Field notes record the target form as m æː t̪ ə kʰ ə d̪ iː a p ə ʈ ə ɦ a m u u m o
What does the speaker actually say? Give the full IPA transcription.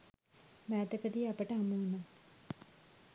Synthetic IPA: m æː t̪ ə k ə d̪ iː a p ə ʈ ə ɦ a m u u n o